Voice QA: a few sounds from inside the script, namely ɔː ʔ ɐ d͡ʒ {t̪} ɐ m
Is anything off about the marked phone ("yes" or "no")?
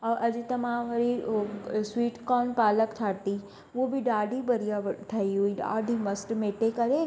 no